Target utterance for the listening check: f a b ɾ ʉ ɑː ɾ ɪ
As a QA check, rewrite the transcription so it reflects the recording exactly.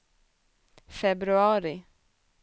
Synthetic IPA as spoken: f ɛ b ɾ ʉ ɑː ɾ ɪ

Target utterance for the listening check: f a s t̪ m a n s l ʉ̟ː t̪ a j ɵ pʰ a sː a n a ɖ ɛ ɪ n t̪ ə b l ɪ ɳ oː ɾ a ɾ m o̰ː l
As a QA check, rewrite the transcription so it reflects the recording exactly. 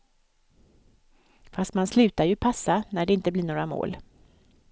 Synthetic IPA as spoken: f a s t̪ m a n s l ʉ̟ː t̪ a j ɵ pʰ a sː a n æ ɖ ɛ ɪ n t̪ ə b l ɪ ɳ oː ɾ a m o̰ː l

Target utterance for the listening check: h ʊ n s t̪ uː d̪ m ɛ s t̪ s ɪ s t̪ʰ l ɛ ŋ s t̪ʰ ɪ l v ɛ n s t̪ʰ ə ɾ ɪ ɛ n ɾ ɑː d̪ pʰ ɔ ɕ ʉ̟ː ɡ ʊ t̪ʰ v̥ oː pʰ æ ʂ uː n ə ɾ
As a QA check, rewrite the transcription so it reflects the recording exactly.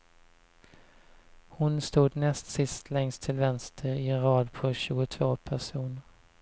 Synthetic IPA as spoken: h ʊ n s t̪ uː d̪ n ɛ s t̪ s ɪ s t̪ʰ l ɛ ŋ s t̪ʰ ɪ l v ɛ n s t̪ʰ ə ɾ ɪ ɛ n ɾ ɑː d̪ pʰ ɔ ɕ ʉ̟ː ɡ ʊ t̪ʰ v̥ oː pʰ æ ʂ uː n ə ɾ

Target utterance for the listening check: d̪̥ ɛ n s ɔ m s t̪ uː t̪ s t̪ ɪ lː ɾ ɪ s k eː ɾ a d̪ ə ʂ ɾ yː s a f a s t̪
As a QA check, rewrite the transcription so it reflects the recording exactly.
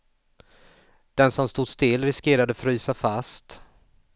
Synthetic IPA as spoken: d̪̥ ɛ n s ɔ m s t̪ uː d̪ s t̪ ɪ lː ɾ ɪ s k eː ɾ a d̪ ə f ɾ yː s a f a s t̪

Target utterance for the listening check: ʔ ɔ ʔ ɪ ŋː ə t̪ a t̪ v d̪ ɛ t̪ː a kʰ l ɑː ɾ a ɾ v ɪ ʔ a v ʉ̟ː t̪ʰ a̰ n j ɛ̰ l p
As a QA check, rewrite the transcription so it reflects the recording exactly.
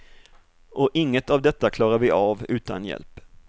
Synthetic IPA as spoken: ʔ ɔ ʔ ɪ ŋː ə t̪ a v d̪ ɛ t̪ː a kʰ l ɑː ɾ a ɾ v ɪ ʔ a v ʉ̟ː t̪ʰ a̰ n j ɛ̰ l p

